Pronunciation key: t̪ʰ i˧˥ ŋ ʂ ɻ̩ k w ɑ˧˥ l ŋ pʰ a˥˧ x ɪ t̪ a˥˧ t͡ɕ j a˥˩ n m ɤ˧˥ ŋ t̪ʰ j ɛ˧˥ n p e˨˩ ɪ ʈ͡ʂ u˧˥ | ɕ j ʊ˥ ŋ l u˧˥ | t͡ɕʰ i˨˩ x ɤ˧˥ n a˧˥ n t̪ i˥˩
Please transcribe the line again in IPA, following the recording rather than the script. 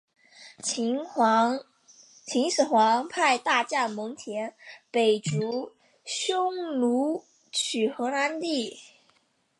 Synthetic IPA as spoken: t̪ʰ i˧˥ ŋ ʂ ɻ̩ x w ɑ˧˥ ŋ pʰ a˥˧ ɪ t̪ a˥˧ t͡ɕ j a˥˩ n m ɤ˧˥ ŋ t̪ʰ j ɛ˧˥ n p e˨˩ ɪ ʈ͡ʂ u˧˥ | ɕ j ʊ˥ ŋ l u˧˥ | t͡ɕʰ y˨˩ x ɤ˧˥ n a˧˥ n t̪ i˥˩

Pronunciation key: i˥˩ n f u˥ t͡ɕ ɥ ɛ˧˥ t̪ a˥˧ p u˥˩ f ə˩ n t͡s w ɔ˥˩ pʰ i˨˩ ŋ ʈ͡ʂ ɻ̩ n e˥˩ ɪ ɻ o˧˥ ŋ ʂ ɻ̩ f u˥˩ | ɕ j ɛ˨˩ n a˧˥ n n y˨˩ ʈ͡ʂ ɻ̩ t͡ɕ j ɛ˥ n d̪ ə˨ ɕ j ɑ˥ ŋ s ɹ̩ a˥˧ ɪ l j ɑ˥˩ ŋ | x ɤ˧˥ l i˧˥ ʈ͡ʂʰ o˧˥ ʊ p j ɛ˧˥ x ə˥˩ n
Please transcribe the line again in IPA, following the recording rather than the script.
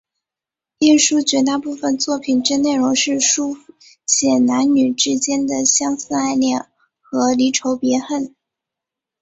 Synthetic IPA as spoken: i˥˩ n ʂ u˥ t͡ɕ ɥ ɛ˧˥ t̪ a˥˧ p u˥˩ f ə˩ n t͡s w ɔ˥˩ pʰ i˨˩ n ʈ͡ʂ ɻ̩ n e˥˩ ɪ ɻ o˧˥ ŋ ʂ ɻ̩ ʂ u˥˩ | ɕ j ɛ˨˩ n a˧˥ n n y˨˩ ʈ͡ʂ ɻ̩ t͡ɕ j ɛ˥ n d̪ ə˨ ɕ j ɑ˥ ŋ s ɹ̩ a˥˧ ɪ l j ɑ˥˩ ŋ | x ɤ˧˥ l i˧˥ ʈ͡ʂʰ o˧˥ ʊ p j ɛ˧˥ x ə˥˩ n

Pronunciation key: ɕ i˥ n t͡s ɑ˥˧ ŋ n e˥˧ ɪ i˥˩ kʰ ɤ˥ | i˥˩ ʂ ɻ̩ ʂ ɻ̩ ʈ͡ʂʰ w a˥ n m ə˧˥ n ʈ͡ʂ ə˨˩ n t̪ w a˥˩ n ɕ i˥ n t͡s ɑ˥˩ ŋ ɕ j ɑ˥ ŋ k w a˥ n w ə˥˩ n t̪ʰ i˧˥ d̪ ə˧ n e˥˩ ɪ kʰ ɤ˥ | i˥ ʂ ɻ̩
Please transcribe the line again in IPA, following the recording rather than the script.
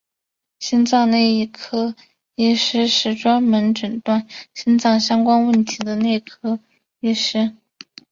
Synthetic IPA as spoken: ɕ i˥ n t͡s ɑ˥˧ ŋ n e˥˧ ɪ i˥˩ kʰ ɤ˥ | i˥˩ ʂ ɻ̩ ʂ ɻ̩ ʈ͡ʂ w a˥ n m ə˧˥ n ʈ͡ʂ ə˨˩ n t̪ w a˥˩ n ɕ i˥ n t͡s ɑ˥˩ ŋ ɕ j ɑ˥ ŋ k w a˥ n w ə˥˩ n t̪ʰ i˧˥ d̪ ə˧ n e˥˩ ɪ kʰ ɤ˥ | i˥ ʂ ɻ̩

